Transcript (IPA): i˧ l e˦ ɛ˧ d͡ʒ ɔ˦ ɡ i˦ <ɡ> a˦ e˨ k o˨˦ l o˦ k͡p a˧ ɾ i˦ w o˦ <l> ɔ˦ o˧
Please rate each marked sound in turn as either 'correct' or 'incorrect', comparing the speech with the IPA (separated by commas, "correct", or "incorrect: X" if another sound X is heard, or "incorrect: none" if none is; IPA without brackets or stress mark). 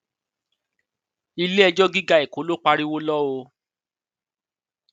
correct, correct